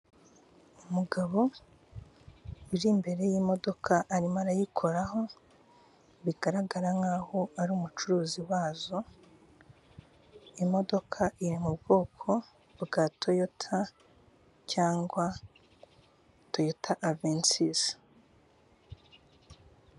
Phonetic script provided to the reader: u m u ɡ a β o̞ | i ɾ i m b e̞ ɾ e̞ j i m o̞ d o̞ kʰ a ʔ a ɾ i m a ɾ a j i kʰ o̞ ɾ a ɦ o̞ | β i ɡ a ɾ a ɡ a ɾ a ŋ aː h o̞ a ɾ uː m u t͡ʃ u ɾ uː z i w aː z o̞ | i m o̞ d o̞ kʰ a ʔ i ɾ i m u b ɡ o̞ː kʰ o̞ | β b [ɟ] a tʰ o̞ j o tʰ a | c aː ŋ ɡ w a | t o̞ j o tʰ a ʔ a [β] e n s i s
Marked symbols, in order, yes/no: no, no

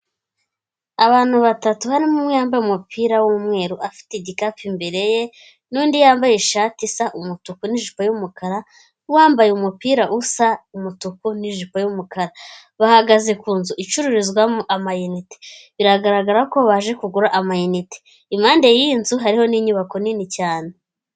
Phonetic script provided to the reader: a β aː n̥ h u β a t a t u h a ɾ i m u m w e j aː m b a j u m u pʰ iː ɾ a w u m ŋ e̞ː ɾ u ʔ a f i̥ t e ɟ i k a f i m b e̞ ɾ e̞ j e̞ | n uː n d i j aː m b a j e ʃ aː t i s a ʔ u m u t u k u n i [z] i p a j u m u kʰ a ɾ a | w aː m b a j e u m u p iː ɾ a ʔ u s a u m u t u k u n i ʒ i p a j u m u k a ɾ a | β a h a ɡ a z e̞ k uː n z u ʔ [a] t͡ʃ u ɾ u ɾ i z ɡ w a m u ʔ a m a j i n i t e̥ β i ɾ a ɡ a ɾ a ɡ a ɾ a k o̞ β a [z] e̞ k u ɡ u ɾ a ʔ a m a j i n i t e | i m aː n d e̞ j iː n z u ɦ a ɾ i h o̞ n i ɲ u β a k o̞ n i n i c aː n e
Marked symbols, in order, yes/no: no, no, no

